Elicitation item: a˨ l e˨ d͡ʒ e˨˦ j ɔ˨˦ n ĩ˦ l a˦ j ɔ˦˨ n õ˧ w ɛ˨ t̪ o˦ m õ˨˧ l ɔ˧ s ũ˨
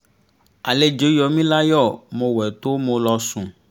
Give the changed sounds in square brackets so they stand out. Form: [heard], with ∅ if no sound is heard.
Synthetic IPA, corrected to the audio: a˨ l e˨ d͡ʒ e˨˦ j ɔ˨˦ [m] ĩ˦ l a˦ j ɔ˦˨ [m] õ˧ w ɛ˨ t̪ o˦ m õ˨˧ l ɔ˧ s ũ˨